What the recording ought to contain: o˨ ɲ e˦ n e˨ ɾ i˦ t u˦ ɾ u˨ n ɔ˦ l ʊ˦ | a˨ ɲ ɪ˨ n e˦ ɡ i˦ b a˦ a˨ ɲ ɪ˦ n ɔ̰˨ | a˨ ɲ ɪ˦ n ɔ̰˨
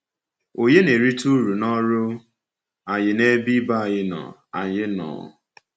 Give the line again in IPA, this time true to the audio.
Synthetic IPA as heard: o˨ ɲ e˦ n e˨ ɾ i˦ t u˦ ɾ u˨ n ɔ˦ ɾ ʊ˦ | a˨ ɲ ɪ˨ n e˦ b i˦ b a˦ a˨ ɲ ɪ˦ n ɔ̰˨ | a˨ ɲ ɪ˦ n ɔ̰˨